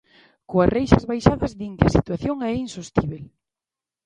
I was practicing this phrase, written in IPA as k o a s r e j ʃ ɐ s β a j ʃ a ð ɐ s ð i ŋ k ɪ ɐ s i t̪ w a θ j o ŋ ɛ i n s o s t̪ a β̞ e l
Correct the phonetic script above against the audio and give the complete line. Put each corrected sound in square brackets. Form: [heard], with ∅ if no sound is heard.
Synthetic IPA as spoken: k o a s r e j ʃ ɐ [z] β a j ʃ a ð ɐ [z] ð i ŋ k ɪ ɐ s i t̪ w a θ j o ŋ ɛ i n s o s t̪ [i] β̞ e l